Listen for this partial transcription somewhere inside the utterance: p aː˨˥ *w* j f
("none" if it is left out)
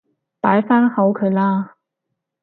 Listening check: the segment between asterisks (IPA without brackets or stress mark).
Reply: none